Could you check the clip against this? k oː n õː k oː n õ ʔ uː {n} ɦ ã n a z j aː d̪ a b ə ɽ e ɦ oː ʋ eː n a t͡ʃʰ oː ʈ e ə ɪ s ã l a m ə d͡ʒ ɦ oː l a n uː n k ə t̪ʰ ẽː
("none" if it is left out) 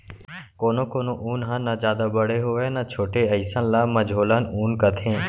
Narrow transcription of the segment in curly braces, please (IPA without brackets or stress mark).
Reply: n